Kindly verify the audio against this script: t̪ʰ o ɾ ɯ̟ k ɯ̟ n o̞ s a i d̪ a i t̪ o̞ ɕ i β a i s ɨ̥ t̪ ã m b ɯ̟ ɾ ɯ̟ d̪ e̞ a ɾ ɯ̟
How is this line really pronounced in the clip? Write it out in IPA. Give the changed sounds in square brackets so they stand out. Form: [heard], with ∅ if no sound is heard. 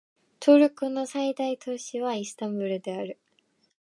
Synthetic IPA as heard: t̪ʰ o ɾ ɯ̟ k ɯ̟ n o̞ s a i d̪ a i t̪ o̞ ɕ i β a i s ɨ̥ t̪ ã m b ɯ̟ ɾ ɯ̟ d̪ e̞ a ɾ ɯ̟